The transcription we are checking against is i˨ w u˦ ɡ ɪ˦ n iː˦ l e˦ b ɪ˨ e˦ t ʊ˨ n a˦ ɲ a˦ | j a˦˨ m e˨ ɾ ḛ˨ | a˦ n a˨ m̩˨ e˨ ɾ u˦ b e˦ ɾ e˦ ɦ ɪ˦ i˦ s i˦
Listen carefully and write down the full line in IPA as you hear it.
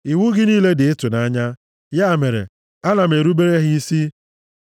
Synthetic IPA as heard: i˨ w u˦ ɡ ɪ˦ n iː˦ l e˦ d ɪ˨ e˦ t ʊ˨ n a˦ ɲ a˦ | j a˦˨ m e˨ ɾ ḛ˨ | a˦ n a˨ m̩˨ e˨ ɾ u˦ b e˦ ɾ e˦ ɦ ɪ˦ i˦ s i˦